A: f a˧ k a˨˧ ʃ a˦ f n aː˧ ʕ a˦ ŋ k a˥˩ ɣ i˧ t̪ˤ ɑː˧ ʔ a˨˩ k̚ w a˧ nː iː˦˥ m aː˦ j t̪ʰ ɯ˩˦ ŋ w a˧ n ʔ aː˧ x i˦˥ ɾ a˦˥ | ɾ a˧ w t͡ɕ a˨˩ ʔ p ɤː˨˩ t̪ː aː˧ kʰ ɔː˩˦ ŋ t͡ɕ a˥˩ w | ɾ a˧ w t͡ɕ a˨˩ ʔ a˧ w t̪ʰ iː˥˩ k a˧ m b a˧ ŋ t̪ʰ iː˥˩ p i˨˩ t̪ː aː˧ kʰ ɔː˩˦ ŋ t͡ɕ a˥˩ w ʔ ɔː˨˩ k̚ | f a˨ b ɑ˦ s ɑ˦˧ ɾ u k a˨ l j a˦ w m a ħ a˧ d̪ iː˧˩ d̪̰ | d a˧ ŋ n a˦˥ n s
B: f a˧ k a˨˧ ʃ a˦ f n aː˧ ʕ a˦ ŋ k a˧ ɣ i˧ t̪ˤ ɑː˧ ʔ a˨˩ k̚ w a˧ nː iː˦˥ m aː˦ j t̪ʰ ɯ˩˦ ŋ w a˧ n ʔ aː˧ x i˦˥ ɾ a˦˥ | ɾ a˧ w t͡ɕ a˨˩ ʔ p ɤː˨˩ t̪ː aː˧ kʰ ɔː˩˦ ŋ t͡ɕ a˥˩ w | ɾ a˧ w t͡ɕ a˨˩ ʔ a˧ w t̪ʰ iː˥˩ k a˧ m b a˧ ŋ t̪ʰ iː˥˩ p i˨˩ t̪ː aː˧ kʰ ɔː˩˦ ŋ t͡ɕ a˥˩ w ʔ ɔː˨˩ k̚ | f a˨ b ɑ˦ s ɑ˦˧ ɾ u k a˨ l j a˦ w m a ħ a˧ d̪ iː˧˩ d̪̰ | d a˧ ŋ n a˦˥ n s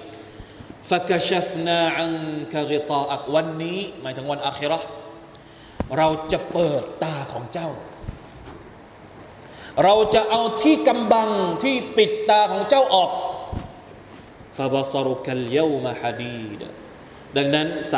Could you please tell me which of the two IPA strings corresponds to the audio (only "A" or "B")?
B